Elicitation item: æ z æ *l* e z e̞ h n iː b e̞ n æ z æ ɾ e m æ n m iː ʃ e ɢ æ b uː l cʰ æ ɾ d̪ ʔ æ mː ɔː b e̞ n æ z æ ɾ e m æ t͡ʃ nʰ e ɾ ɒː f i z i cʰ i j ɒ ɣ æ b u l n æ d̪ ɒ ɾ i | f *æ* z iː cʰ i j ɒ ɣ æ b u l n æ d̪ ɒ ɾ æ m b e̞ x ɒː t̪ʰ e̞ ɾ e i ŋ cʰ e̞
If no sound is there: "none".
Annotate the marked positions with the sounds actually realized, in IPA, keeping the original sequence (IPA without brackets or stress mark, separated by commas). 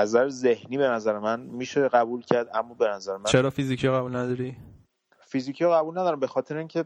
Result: ɾ, i